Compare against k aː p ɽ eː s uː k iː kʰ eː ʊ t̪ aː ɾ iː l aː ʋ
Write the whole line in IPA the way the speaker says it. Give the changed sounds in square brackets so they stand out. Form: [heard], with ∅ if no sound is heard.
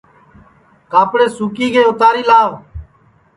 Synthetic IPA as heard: k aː p ɽ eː s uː k iː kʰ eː ʊ t̪ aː ɾ iː l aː ʋ